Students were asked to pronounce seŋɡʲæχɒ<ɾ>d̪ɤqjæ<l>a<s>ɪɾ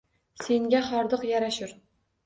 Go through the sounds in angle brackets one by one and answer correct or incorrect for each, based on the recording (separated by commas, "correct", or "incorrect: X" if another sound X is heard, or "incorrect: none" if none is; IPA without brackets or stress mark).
correct, incorrect: ɾ, incorrect: ʃ